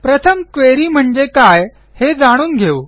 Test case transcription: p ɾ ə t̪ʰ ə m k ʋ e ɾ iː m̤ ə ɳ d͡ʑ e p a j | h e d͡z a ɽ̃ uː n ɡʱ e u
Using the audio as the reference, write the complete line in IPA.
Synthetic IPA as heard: p ɾ ə t̪ʰ ə m k ʋ e ɾ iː m̤ ə ɳ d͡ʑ e k a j | h e d͡z a ɽ̃ uː n ɡʱ e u

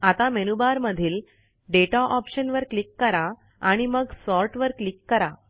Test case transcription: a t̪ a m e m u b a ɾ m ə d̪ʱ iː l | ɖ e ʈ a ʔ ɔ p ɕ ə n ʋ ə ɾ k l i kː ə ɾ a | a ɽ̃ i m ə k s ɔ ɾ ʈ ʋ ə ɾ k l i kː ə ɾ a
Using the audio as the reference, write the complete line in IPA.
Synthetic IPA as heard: a t̪ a m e n u b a ɾ m ə d̪ʱ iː l | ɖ e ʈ a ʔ ɔ p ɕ ə n ʋ ə ɾ k l i kː ə ɾ a | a ɽ̃ i m ə ɡ s ɔ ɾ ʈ ʋ ə ɾ k l i kː ə ɾ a

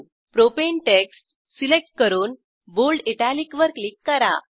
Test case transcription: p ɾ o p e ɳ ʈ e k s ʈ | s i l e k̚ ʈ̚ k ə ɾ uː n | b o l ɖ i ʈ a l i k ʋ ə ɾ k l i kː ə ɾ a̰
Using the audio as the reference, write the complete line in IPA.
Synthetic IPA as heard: p ɾ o p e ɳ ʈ e k s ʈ | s i l e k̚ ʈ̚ k ə ɾ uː n | b o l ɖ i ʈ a l i k ʋ ə ɾ k l i kː ə ɾ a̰

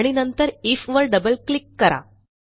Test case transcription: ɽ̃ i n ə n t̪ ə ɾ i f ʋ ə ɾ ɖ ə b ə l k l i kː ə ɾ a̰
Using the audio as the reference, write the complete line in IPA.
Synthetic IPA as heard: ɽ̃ i n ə n t̪ ə ɾ i f ʋ ə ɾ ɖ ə b ə l k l i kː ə ɾ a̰

